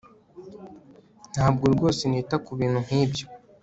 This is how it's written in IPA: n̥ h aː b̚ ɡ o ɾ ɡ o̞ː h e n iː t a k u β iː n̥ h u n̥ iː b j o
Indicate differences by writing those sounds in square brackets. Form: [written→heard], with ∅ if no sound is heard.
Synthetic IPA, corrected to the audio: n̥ h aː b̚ ɡ o ɾ ɡ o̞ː [h→s] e n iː t a k u β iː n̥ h u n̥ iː b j o